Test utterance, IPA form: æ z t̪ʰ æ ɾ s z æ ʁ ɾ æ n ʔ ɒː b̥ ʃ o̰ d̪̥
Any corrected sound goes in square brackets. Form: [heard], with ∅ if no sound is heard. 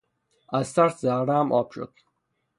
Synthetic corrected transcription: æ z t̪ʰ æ ɾ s z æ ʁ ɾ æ [m] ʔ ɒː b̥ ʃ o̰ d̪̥